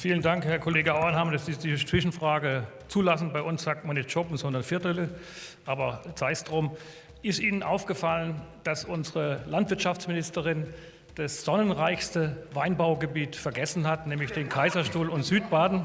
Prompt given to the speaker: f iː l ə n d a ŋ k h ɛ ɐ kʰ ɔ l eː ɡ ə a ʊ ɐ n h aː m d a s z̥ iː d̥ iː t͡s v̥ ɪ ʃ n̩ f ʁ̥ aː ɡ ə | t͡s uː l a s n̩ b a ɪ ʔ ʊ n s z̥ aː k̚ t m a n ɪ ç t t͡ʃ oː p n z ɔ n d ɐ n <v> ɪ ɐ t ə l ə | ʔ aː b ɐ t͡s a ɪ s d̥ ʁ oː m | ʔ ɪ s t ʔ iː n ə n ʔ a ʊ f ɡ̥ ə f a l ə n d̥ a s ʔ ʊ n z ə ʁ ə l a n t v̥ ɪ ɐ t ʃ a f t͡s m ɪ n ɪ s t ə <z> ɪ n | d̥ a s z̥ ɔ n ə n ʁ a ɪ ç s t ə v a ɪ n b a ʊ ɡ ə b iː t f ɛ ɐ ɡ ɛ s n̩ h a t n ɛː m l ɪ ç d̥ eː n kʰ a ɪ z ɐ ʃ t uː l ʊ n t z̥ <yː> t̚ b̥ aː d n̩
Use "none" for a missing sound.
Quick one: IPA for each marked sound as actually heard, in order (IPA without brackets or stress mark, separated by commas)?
f, ʁ, yː